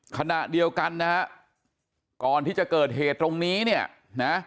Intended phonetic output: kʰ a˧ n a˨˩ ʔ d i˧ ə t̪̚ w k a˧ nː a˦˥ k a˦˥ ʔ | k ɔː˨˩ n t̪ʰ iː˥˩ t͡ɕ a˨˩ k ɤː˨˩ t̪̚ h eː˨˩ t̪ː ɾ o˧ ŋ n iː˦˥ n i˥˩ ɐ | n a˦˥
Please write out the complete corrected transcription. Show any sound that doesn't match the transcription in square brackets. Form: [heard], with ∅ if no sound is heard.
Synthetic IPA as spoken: kʰ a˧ n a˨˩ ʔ d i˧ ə [∅] w k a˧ nː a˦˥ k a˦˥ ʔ | k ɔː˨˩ n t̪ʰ iː˥˩ t͡ɕ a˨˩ k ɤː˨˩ t̪̚ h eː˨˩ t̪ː ɾ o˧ ŋ n iː˦˥ n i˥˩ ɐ | n a˦˥